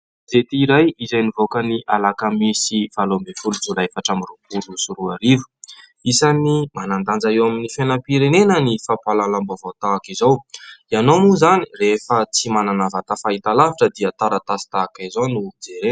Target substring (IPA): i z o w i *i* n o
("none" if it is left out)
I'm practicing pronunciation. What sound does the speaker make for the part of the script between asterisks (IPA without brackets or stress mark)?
a